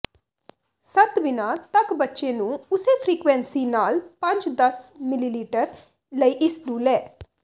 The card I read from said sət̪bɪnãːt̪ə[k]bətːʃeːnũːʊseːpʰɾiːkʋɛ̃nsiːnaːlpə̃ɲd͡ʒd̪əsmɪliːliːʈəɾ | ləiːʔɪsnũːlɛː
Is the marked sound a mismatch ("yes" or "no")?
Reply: no